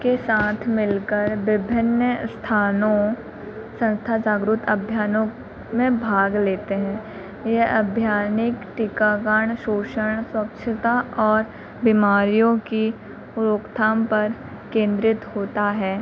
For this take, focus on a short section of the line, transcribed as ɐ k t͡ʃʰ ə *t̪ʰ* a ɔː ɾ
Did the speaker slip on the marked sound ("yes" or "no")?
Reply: yes